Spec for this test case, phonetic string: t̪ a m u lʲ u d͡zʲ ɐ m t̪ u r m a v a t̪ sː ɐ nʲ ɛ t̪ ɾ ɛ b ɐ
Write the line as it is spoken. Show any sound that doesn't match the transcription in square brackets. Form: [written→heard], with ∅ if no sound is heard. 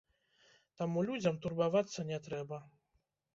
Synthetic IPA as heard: t̪ a m u lʲ u d͡zʲ ɐ m t̪ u r [m→b] a v a t̪ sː ɐ nʲ ɛ t̪ ɾ ɛ b ɐ

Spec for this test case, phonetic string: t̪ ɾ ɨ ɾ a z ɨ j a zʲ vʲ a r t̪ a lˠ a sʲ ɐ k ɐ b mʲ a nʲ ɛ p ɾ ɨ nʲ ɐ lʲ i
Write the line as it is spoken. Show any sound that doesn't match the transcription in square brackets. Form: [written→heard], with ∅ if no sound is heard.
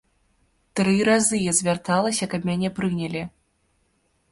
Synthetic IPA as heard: t̪ ɾ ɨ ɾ a z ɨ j a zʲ vʲ a r t̪ a lˠ [a→ɐ] sʲ ɐ k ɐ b mʲ a nʲ ɛ p ɾ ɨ nʲ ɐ lʲ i

